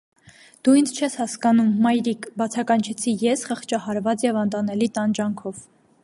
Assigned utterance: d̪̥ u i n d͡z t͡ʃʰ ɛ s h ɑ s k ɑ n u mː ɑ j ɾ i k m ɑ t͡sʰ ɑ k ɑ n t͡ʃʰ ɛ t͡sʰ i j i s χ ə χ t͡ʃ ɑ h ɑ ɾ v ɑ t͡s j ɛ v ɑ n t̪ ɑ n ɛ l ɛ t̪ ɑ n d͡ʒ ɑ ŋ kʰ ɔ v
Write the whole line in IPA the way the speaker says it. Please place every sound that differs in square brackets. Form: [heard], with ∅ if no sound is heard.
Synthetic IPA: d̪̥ u i n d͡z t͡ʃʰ ɛ s h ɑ s k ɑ n u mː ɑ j ɾ i k [b] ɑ t͡sʰ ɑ k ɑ n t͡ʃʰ ɛ t͡sʰ i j [ɛ] s χ ə χ t͡ʃ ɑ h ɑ ɾ v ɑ t͡s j ɛ v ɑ n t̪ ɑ n ɛ l [i] t̪ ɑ n d͡ʒ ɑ ŋ kʰ ɔ v